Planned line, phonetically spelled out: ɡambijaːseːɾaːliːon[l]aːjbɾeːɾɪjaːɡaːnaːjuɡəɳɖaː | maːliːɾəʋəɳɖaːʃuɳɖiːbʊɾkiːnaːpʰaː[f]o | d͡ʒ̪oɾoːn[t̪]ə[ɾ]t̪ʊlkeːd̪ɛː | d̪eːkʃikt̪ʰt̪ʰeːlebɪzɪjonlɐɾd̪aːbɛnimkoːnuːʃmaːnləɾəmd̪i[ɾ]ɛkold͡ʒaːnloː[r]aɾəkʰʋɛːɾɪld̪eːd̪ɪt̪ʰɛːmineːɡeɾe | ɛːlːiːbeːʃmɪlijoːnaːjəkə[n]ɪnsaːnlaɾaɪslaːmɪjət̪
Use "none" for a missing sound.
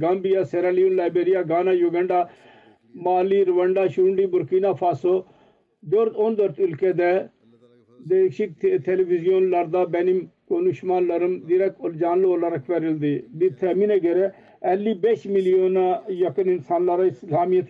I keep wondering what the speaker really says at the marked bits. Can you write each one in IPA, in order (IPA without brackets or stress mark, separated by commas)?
l, s, d̪, ɾ, ɾ, l, n